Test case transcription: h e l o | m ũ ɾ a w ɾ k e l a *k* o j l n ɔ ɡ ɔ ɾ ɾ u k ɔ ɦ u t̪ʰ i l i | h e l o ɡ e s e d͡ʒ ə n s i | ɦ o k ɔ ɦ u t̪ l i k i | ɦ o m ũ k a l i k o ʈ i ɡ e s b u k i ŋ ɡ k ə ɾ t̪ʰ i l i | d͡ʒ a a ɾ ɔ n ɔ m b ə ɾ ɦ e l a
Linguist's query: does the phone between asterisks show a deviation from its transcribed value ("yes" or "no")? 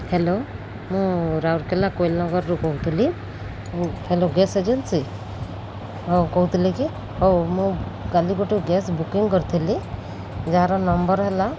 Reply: no